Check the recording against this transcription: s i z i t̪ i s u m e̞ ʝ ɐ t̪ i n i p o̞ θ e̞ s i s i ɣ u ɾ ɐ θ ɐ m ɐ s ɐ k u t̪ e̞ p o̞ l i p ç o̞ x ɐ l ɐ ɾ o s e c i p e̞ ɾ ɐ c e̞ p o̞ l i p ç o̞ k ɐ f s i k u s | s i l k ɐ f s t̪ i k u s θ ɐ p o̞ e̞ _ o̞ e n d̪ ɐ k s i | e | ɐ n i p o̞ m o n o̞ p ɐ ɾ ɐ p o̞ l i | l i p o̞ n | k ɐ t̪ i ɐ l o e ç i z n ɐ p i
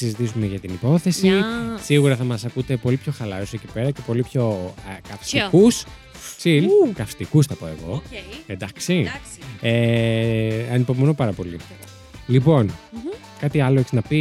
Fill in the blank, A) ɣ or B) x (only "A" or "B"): A